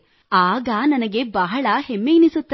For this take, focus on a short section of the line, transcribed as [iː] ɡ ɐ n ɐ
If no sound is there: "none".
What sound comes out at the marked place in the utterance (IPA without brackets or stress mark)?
aː